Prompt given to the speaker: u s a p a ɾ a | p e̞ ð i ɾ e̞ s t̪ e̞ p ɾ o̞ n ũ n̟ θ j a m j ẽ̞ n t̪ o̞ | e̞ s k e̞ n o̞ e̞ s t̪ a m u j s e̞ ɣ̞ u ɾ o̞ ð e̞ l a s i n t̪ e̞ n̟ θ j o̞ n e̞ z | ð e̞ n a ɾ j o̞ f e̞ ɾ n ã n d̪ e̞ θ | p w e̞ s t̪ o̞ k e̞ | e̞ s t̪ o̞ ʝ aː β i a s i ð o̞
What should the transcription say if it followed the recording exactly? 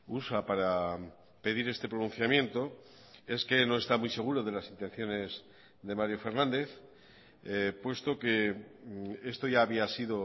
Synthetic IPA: u s a p a ɾ a | p e̞ ð i ɾ e̞ s t̪ e̞ p ɾ o̞ n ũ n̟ θ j a m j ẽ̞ n t̪ o̞ | e̞ s k e̞ n o̞ e̞ s t̪ a m u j s e̞ ɣ̞ u ɾ o̞ ð e̞ l a s i n t̪ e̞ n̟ θ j o̞ n e̞ z | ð e̞ m a ɾ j o̞ f e̞ ɾ n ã n d̪ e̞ θ | p w e̞ s t̪ o̞ k e̞ | e̞ s t̪ o̞ ʝ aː β i a s i ð o̞

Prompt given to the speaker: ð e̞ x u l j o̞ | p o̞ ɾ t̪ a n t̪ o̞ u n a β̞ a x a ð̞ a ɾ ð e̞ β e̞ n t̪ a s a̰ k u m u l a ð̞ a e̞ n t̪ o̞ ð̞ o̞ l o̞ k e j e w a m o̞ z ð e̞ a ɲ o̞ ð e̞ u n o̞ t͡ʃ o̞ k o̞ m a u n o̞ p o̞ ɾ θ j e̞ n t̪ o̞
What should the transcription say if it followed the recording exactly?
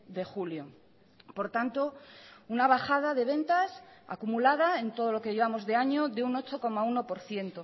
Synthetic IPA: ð e̞ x u l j o̞ | p o̞ ɾ t̪ a n t̪ o̞ u n a β̞ a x a ð̞ a ð e̞ β e̞ n t̪ a s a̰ k u m u l a ð̞ a e̞ n t̪ o̞ ð̞ o̞ l o̞ k e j e β a m o̞ z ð e̞ a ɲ o̞ ð e̞ u n o̞ t͡ʃ o̞ k o̞ m a u n o̞ p o̞ ɾ θ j e̞ n t̪ o̞

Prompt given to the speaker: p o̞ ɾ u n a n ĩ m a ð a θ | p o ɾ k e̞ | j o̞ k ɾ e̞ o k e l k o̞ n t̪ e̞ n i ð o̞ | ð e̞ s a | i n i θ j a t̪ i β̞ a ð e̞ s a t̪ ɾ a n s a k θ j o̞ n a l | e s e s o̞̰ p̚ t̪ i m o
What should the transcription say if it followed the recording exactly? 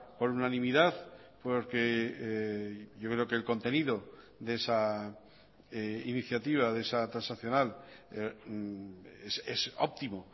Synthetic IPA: p o̞ ɾ u n a n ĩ m i ð a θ | p o ɾ k e̞ | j o̞ k ɾ e̞ o k e l k o̞ n t̪ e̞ n i ð o̞ | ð e̞ s a | i n i θ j a t̪ i β̞ a ð e̞ s a t̪ ɾ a n s a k θ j o̞ n a l | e s e s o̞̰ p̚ t̪ i m o

